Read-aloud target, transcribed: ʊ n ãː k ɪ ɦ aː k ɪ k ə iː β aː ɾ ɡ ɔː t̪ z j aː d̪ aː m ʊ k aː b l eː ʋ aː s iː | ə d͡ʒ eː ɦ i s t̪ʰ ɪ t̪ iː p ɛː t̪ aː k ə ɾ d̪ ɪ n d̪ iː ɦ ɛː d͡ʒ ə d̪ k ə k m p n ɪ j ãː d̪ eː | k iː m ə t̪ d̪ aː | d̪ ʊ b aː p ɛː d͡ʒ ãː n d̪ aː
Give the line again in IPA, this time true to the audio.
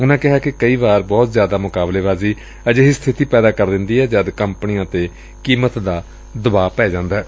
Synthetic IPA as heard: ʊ n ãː k ɪ ɦ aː k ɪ k ə iː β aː ɾ b ɔː t̪ z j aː d̪ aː m ʊ k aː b l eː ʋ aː z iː | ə d͡ʒ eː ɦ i s t̪ʰ ɪ t̪ iː p ɛː d̪ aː k ə ɾ d̪ ɪ n d̪ iː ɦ ɛː d͡ʒ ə d̪ k ə m p n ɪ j ãː t̪ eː | k iː m ə t̪ d̪ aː | d̪ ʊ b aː p ɛː d͡ʒ ãː n d̪ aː

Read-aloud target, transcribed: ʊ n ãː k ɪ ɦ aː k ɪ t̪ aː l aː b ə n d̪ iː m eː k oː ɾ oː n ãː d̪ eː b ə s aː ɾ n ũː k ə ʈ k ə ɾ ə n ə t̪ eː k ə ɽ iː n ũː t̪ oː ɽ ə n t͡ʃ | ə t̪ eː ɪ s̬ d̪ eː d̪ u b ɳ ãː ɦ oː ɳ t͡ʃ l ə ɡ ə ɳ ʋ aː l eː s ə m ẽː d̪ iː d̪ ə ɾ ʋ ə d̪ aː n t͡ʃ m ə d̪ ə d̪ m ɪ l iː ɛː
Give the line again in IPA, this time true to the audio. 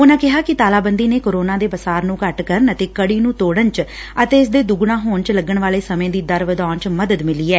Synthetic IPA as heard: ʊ n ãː k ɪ ɦ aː k ɪ t̪ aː l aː b ə n d̪ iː n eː k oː ɾ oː n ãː d̪ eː b ə s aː ɾ n ũː k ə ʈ k ə ɾ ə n ə t̪ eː k ə ɽ iː n ũː t̪ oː ɽ ə n t͡ʃ | ə t̪ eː ɪ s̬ d̪ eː d̪ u ɡ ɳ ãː ɦ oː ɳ t͡ʃ l ə ɡ ə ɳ ʋ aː l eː s ə m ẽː d̪ iː d̪ ə ɾ ʋ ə d̪ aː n t͡ʃ m ə d̪ ə d̪ m ɪ l iː ɛː

